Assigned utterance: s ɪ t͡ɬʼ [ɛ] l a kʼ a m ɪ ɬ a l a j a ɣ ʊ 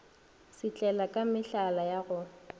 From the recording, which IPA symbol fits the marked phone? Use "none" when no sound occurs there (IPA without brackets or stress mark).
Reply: ɛ